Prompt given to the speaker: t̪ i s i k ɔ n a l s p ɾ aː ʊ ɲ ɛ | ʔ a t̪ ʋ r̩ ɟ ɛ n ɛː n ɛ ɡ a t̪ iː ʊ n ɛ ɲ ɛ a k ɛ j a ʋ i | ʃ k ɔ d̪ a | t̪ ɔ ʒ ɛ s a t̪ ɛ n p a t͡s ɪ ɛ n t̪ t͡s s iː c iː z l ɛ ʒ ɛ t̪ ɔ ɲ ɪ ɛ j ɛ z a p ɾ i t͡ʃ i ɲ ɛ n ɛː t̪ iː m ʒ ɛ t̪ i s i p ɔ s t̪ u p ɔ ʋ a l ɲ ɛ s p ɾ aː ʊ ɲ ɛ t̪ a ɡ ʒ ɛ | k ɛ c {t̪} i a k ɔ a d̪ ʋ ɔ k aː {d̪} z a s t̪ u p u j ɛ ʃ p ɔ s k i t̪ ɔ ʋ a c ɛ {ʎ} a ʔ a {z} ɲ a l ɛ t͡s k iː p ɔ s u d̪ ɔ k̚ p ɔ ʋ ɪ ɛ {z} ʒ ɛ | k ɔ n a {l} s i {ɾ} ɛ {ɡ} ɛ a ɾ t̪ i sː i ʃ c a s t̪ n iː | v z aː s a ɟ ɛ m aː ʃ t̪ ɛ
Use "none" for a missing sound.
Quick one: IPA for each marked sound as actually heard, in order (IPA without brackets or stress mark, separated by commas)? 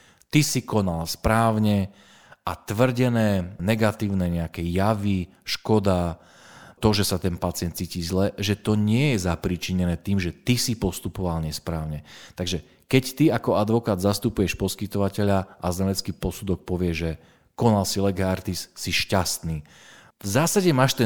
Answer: t̪, d̪, ʎ, z, ʒ, l, l, ɡ